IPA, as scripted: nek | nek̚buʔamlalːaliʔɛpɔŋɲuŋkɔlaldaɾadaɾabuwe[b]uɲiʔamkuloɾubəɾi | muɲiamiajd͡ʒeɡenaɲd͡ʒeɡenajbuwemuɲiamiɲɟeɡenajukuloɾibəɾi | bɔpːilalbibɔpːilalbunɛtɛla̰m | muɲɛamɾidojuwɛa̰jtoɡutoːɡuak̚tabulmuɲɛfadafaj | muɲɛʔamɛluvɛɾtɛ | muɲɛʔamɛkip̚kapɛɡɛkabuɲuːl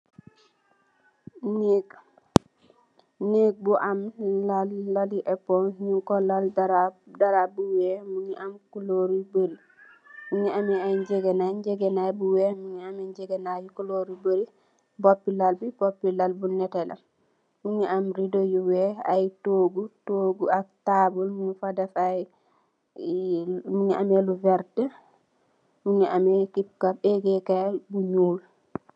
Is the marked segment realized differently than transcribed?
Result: yes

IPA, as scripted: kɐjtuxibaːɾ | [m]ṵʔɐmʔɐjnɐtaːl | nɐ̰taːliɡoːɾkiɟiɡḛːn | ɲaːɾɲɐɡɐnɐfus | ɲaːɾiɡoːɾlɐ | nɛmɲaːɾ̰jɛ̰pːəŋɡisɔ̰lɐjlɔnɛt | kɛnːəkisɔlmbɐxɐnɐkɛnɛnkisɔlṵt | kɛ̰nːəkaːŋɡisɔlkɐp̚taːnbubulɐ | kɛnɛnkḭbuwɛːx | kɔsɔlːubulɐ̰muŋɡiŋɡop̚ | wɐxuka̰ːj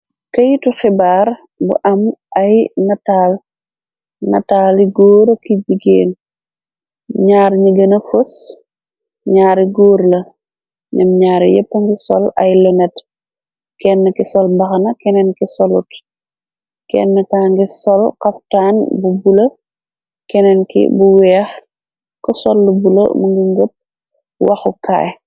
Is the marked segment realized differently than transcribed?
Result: yes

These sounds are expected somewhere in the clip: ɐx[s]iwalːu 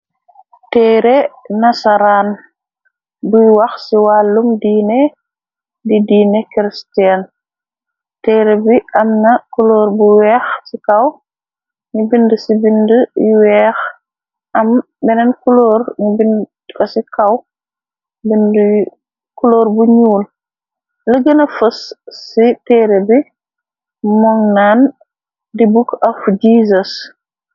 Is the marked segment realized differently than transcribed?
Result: no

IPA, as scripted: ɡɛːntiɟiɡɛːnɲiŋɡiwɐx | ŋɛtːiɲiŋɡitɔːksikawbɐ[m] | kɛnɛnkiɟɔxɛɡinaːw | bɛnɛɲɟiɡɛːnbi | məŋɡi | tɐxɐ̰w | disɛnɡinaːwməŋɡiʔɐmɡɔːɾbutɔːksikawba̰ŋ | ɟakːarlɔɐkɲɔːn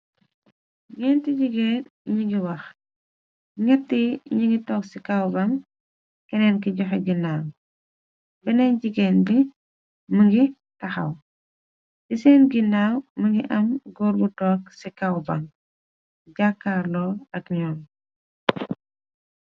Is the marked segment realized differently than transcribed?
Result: yes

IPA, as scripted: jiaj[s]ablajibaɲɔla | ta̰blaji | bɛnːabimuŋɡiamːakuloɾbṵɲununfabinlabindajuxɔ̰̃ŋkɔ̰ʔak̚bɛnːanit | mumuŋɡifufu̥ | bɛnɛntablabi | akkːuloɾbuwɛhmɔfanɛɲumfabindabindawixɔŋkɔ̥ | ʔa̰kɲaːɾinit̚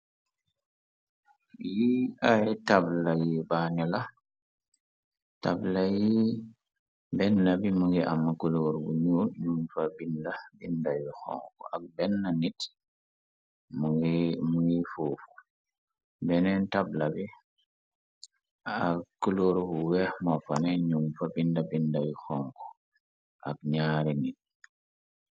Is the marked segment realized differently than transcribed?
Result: yes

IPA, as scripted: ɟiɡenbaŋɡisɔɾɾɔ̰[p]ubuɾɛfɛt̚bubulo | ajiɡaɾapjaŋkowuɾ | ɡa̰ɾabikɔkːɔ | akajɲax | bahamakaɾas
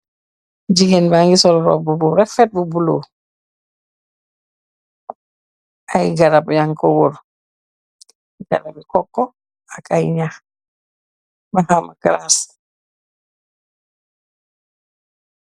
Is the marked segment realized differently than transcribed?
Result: yes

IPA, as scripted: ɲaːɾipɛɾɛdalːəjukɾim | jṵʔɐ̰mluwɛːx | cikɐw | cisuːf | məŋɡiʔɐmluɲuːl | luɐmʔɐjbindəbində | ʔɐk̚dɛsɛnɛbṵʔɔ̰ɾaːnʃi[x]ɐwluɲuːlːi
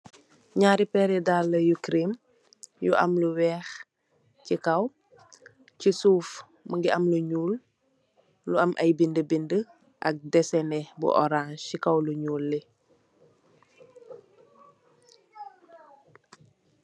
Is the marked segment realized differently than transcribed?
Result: yes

